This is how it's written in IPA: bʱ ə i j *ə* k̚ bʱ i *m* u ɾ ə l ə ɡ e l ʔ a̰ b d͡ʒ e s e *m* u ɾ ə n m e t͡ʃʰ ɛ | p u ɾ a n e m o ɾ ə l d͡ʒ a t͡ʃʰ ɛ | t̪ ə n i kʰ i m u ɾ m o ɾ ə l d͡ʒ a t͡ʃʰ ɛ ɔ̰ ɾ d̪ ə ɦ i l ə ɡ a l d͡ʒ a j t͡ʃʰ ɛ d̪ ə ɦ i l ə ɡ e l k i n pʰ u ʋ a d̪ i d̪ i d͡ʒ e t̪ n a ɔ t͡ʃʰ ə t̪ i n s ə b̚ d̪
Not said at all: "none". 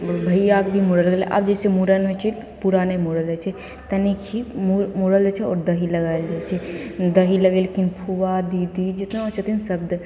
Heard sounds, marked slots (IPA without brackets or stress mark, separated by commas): a, m, m